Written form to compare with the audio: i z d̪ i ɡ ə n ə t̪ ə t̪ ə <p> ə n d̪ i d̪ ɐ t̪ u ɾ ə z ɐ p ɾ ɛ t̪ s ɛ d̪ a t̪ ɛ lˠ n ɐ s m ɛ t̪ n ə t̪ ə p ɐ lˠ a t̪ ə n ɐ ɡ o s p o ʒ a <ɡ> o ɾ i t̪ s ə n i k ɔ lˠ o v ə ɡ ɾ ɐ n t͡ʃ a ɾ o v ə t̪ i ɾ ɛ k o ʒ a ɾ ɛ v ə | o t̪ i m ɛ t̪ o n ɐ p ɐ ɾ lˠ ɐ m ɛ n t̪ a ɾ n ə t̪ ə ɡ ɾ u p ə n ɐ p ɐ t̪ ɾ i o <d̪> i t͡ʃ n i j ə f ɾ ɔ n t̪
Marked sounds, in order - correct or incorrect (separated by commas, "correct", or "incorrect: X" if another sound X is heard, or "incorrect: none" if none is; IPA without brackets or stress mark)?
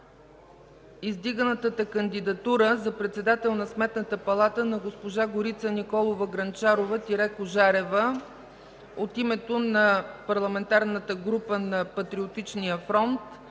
incorrect: k, correct, incorrect: t̪